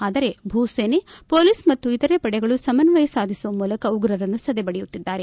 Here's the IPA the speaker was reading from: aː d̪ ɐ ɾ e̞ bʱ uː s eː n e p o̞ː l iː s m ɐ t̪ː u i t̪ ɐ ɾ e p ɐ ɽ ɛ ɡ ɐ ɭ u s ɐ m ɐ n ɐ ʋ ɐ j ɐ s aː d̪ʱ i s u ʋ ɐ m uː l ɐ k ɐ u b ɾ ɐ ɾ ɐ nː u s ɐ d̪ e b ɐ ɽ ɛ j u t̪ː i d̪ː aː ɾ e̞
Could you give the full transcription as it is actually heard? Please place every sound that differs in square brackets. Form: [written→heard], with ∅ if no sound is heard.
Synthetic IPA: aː d̪ ɐ ɾ e̞ bʱ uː s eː n e p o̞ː l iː s m ɐ t̪ː u i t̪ ɐ ɾ e p ɐ ɽ ɛ ɡ ɐ ɭ u s ɐ m ɐ n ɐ ʋ ɐ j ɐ s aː d̪ʱ i s u ʋ ɐ m uː l ɐ k ɐ u [b→ɡ] ɾ ɐ ɾ ɐ nː u s ɐ d̪ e b ɐ ɽ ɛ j u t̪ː i d̪ː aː ɾ e̞